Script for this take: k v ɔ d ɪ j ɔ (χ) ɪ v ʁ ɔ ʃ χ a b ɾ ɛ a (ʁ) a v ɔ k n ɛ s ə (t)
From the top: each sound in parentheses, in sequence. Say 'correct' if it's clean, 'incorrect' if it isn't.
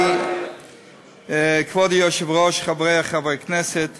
incorrect: ʃ, incorrect: χ, correct

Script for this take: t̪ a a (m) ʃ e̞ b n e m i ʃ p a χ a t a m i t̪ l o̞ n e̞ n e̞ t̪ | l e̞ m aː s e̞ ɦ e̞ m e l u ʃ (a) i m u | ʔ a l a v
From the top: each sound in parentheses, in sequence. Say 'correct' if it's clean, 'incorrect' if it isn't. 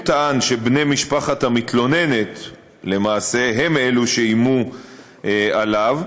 incorrect: n, incorrect: e

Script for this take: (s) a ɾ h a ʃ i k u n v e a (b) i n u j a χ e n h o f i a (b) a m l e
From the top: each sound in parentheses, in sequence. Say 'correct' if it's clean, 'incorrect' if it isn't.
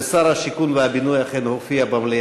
correct, correct, correct

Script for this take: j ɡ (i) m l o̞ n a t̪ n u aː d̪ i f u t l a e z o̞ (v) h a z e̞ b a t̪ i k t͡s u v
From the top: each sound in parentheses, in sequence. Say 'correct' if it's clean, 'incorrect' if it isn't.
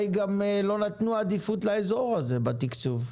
incorrect: a, incorrect: ʁ

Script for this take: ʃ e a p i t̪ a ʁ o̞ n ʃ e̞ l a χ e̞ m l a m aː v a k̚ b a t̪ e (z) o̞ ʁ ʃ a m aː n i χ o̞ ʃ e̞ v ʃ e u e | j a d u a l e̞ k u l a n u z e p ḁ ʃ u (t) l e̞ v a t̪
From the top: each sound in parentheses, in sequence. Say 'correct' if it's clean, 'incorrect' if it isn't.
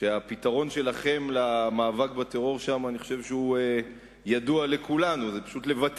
incorrect: ʁ, correct

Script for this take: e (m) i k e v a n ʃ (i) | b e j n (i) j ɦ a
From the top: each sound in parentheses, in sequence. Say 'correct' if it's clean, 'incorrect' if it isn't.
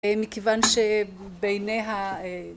correct, incorrect: e, incorrect: e

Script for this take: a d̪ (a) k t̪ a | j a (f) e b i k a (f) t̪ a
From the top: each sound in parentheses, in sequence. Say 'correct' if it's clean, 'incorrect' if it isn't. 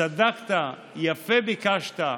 correct, correct, incorrect: ʃ

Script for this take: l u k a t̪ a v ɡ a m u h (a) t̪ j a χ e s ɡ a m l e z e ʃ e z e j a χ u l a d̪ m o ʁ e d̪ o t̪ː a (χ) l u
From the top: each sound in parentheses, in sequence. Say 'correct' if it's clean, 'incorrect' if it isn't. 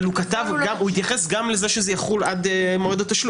incorrect: i, incorrect: ʃ

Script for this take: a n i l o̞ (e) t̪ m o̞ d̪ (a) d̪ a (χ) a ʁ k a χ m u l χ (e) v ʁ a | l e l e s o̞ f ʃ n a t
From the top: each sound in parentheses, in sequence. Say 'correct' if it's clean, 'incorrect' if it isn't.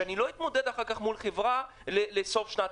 incorrect: i, incorrect: e, correct, correct

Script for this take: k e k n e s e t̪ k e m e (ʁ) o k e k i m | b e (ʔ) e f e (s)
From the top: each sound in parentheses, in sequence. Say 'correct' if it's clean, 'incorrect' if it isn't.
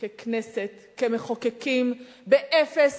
incorrect: χ, correct, correct

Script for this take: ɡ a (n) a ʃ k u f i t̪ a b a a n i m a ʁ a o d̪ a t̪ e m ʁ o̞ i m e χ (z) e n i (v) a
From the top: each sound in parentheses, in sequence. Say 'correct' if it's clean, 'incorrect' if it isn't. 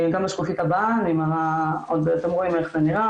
incorrect: m, correct, incorrect: ʁ

